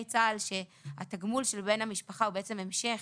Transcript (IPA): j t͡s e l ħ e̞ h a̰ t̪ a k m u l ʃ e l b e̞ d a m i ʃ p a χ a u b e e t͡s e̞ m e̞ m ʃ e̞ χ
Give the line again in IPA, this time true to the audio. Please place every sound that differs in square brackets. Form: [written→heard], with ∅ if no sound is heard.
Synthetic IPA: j t͡s [e→a] l [ħ→ʃ] e̞ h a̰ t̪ a [k→ɡ] m u l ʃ e l b e̞ [d→n] a m i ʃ p a χ a u b e e t͡s e̞ m e̞ m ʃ e̞ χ